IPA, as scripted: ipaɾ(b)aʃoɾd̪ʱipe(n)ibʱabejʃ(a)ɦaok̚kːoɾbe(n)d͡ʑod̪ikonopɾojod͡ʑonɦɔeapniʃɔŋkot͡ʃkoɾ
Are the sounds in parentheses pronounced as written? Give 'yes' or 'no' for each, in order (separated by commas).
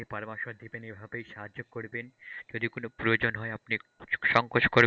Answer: no, yes, yes, yes